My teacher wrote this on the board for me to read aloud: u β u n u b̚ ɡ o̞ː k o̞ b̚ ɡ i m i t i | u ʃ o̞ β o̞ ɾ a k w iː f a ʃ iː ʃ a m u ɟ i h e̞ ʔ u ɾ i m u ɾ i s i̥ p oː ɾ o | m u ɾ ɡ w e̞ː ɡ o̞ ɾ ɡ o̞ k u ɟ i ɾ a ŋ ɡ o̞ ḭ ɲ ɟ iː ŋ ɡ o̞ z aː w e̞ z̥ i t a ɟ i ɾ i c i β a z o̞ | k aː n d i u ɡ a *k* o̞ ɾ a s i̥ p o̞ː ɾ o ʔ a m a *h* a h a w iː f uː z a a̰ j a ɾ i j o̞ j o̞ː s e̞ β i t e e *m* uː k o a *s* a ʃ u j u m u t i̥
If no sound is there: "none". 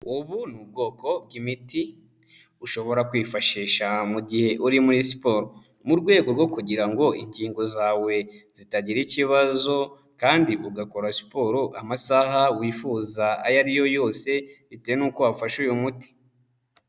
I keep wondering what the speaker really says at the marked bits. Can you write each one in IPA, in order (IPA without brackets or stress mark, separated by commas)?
k, s, n, f